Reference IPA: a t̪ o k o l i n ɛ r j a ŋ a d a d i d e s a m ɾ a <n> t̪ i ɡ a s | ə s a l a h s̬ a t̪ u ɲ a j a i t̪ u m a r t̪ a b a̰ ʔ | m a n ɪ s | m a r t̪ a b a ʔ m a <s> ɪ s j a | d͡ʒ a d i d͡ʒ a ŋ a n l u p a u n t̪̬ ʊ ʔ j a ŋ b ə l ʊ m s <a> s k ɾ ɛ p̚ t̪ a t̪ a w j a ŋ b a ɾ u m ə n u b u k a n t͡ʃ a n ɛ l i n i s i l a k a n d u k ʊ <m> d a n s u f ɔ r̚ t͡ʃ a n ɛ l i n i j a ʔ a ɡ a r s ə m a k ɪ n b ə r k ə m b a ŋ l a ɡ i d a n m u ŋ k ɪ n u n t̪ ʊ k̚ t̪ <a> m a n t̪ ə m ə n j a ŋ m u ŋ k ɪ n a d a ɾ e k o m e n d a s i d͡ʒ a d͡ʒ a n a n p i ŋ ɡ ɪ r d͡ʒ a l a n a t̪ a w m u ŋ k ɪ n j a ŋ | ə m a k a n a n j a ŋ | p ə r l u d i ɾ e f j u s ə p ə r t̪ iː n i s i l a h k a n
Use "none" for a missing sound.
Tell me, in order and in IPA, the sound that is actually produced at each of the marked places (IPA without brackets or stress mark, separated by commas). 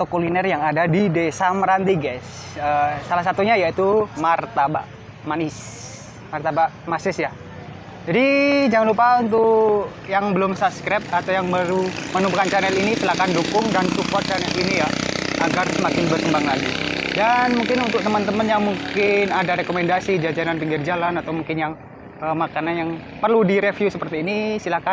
n, s, a, ŋ, ə